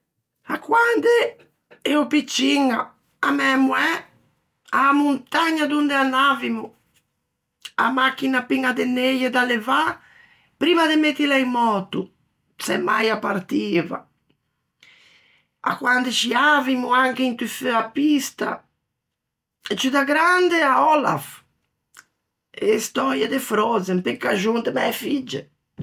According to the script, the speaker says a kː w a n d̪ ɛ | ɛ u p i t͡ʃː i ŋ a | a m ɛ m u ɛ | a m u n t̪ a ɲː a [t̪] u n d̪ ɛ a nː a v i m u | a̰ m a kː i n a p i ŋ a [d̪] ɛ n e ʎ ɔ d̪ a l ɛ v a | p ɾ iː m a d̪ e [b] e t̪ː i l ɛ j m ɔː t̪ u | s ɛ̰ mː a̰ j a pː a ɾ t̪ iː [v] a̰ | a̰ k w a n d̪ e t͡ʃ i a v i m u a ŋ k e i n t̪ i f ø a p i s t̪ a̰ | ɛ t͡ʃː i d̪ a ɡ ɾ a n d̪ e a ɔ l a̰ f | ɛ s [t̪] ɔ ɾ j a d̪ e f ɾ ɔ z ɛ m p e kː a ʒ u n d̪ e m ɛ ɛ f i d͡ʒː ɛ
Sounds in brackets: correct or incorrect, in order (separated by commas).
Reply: incorrect, correct, incorrect, correct, correct